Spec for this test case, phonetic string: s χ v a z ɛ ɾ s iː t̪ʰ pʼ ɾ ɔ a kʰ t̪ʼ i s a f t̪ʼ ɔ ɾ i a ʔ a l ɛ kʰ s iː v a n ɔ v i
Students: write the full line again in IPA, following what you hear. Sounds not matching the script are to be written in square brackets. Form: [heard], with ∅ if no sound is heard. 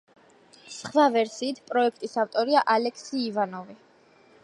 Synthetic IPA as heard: s χ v a [v] ɛ ɾ s iː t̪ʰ pʼ ɾ ɔ [ɛ] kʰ t̪ʼ i s a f t̪ʼ ɔ ɾ i a ʔ a l ɛ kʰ s iː v a n ɔ v i